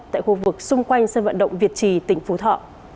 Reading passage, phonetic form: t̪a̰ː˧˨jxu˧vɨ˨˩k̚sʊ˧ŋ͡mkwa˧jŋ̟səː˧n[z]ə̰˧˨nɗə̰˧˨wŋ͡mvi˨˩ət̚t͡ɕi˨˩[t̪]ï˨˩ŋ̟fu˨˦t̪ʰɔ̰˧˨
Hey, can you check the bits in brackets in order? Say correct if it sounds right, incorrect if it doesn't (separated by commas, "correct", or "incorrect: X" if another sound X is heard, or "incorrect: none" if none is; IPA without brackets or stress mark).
incorrect: v, correct